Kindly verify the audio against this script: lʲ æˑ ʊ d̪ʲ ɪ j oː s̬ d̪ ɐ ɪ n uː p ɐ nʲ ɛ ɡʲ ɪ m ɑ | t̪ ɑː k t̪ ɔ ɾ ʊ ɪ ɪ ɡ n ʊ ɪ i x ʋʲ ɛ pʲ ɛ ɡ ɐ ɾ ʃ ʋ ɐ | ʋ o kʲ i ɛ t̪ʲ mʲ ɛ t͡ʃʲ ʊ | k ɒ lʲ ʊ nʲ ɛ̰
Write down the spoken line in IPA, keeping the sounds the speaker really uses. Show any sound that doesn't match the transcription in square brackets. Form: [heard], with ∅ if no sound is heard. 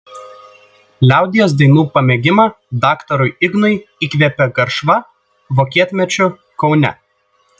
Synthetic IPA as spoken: lʲ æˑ ʊ d̪ʲ ɪ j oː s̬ d̪ ɐ ɪ n uː p ɐ [mʲ] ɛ ɡʲ ɪ m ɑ | [d̪] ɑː k t̪ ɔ ɾ ʊ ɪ ɪ ɡ n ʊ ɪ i [k] ʋʲ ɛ pʲ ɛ ɡ ɐ ɾ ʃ ʋ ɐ | ʋ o kʲ i ɛ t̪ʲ mʲ ɛ t͡ʃʲ ʊ | k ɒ [∅] ʊ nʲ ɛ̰